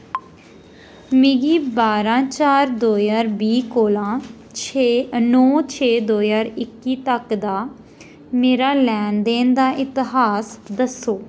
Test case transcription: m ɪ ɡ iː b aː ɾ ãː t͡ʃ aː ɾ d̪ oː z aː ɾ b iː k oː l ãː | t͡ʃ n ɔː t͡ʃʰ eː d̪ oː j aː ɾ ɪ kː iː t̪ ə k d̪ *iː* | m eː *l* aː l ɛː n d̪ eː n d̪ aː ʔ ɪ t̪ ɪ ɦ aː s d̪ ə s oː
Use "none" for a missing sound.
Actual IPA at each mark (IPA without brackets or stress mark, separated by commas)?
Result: aː, ɾ